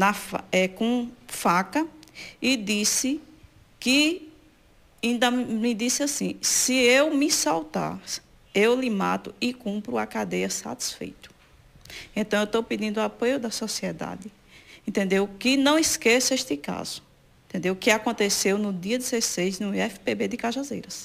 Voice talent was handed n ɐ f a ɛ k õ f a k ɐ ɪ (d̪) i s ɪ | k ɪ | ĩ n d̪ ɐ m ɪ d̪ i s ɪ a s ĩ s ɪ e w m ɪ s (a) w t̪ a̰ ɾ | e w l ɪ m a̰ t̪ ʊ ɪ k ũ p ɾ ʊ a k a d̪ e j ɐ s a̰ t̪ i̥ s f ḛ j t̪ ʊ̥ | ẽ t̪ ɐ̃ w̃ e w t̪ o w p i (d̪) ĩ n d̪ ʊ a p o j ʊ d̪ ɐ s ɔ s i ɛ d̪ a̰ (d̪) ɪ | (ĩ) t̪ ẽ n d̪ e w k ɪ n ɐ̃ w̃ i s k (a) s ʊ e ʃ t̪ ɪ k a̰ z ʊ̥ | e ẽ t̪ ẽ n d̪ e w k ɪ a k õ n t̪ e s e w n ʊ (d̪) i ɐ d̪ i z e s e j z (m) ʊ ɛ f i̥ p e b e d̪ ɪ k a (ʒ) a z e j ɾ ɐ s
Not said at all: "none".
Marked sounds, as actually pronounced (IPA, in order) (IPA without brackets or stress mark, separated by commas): d̪, a, d̪, d̪, ẽ, e, d̪, n, ʒ